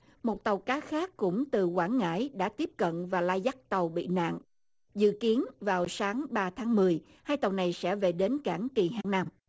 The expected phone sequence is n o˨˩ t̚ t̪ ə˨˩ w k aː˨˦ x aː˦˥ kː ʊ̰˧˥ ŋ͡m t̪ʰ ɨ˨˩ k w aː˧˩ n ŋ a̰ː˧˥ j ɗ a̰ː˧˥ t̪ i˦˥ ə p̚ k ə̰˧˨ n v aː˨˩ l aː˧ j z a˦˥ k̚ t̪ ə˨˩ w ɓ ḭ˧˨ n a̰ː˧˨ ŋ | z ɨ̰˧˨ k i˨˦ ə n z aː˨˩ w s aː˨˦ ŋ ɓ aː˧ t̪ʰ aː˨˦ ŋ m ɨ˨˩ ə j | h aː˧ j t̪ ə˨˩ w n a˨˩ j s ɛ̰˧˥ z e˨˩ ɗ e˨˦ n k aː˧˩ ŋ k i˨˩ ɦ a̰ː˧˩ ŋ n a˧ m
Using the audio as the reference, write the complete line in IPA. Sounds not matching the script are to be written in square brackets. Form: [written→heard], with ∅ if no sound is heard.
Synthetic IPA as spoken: [n→m] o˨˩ t̚ t̪ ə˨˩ w k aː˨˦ x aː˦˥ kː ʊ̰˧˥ ŋ͡m [t̪ʰ→t̪] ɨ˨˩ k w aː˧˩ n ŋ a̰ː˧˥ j ɗ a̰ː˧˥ t̪ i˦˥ ə p̚ k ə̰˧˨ n v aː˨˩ l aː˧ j z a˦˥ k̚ t̪ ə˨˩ w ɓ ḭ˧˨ n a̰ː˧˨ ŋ | z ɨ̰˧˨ k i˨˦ ə n [z→v] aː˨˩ w s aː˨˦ ŋ ɓ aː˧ t̪ʰ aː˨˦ ŋ m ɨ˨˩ ə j | h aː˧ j t̪ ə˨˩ w n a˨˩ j s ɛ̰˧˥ [z→v] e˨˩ ɗ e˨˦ n k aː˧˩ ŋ k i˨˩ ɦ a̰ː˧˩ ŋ n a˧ m